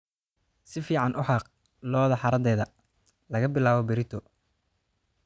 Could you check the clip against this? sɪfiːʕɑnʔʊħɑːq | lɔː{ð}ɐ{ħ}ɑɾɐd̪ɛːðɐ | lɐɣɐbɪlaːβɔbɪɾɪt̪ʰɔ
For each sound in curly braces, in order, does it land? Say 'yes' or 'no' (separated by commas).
yes, yes